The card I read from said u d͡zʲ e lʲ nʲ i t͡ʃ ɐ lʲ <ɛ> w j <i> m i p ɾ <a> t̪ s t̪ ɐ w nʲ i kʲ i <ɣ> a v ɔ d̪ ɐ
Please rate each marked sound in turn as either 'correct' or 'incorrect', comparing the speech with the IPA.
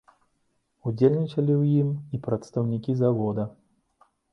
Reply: incorrect: i, correct, incorrect: ɐ, incorrect: z

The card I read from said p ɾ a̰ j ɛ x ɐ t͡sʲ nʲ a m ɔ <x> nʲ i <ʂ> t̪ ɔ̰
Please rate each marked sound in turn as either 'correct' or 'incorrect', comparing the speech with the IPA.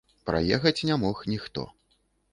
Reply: correct, incorrect: x

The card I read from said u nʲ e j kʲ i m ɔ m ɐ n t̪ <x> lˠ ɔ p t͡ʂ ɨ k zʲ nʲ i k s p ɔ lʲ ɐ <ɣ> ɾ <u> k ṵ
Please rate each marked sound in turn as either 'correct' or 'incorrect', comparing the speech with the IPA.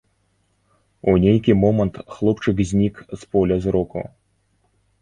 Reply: correct, incorrect: z, incorrect: ɔ

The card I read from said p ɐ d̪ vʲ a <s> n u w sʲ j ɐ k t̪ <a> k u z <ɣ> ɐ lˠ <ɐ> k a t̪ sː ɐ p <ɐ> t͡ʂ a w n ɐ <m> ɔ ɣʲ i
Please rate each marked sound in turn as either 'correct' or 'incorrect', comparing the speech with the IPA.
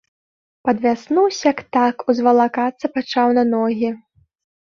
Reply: correct, correct, incorrect: v, incorrect: a, incorrect: a, incorrect: n

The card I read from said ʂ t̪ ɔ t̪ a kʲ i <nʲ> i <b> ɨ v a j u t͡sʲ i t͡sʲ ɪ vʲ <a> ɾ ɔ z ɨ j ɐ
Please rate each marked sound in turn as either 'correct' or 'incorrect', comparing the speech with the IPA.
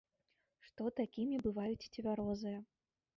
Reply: incorrect: mʲ, correct, correct

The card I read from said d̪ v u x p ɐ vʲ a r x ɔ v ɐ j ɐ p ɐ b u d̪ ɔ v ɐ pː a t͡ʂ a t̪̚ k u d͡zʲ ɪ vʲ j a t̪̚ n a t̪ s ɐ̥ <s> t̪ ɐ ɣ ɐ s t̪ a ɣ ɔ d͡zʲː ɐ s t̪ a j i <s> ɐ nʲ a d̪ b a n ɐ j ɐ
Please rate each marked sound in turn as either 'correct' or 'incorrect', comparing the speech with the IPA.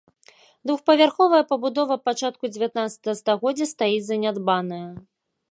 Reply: incorrect: none, incorrect: z

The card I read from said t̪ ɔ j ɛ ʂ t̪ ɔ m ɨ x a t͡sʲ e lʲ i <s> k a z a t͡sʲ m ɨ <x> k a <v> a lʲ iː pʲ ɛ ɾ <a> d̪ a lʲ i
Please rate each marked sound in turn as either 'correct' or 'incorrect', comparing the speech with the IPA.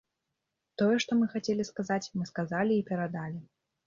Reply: correct, incorrect: s, incorrect: z, correct

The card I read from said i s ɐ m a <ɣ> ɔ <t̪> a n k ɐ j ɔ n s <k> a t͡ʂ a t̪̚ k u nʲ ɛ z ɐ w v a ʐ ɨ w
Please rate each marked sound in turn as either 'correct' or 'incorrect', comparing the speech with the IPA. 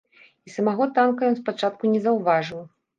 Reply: correct, correct, incorrect: p

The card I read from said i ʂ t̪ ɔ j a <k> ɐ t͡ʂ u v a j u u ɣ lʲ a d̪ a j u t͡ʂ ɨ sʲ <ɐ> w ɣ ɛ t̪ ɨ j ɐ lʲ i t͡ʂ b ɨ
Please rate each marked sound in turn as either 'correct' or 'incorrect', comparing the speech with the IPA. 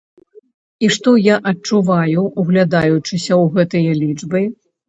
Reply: incorrect: ʔ, correct

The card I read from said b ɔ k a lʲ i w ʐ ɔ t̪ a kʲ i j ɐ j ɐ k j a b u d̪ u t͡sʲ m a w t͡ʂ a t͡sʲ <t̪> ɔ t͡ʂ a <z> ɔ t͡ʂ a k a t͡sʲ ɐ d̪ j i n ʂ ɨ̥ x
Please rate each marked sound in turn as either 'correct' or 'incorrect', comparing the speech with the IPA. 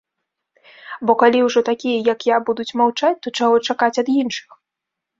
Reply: correct, incorrect: ɣ

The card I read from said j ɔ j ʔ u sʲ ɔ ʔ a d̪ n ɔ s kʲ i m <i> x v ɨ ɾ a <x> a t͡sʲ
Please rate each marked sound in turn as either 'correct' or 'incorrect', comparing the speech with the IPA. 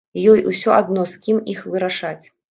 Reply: correct, incorrect: ʂ

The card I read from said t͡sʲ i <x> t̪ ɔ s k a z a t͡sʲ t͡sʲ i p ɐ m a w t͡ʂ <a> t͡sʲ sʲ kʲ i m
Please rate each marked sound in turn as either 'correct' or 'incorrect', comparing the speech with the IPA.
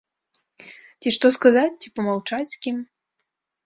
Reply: incorrect: ʂ, correct

